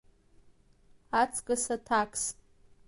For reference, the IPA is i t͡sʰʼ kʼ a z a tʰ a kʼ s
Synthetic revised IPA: a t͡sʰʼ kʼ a s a tʰ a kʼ s

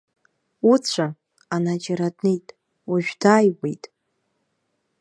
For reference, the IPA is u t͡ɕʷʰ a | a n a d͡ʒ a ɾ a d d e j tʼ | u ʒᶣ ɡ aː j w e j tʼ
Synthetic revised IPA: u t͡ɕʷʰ a | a n a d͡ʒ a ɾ a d n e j tʼ | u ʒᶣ d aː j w e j tʼ

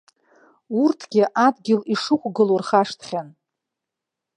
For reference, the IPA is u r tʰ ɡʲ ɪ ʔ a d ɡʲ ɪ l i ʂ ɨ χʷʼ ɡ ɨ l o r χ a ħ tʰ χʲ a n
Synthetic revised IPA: u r tʰ ɡʲ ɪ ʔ a d ɡʲ ɪ l i ʂ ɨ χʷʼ ɡ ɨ l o r χ a ʂ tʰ χʲ a n

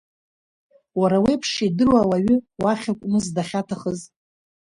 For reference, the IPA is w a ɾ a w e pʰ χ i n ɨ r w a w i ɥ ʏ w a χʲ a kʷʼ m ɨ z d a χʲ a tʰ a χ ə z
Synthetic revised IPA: w a ɾ a w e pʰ ʂ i d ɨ r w a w a ɥ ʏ w a χʲ a kʷʼ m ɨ z d a χʲ a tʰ a χ ə z

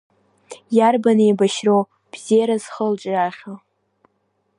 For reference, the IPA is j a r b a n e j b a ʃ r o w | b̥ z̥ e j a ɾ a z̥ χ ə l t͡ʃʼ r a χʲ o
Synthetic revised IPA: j a r b a n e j b a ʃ r o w | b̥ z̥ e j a ɾ a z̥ χ ə l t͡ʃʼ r a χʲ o

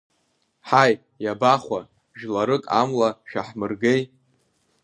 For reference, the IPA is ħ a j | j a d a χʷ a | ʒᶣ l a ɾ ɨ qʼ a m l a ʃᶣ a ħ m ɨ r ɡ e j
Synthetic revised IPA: ħ a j | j a b a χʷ a | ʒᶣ l a ɾ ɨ kʼ a m l a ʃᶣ a ħ m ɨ r ɡ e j

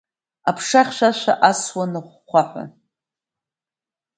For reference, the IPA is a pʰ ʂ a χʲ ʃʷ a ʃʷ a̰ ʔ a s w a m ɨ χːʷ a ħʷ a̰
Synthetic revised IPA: a pʰ ʂ a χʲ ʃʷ a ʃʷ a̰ ʔ a s w a n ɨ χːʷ a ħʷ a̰

